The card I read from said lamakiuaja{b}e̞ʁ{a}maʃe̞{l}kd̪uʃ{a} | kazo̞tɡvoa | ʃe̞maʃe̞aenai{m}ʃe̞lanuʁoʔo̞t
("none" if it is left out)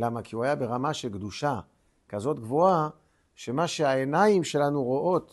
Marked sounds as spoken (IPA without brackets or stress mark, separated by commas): b, a, l, a, m